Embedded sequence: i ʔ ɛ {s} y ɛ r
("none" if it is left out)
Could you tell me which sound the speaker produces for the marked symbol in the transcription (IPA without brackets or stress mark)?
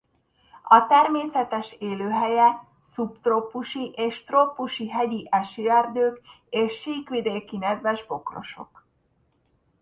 ʃ